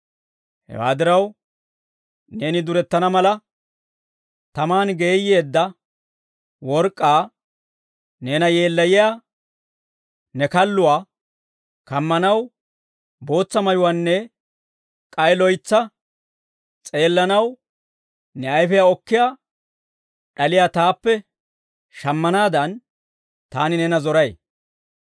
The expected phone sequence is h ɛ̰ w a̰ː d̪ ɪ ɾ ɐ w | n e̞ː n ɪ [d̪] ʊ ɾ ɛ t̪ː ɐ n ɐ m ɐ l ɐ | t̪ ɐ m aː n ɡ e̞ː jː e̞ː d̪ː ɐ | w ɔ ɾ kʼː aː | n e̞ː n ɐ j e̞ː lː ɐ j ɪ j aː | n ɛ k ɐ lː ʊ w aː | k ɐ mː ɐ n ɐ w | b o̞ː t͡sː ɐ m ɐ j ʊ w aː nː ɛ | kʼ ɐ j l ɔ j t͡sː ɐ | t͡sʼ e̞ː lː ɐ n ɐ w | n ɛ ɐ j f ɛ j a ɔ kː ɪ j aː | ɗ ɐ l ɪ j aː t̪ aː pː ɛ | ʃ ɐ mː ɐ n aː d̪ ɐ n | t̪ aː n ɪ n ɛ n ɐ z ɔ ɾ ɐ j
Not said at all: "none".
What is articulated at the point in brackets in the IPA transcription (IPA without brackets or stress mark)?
d̪